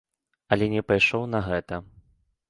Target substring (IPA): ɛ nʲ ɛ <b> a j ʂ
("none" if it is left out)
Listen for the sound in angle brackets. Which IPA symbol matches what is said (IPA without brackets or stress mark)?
p